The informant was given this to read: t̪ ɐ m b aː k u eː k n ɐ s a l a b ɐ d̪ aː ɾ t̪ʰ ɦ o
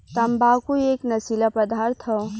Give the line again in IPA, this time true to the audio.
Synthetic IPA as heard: t̪ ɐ m b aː k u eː k n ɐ s i l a p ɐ d̪ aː ɾ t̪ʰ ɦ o